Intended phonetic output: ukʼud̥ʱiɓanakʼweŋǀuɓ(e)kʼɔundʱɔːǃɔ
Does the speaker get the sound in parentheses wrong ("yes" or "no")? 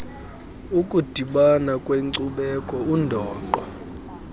yes